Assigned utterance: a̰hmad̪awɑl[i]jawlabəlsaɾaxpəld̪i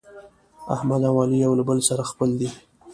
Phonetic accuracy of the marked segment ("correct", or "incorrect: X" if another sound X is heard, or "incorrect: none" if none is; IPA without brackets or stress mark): correct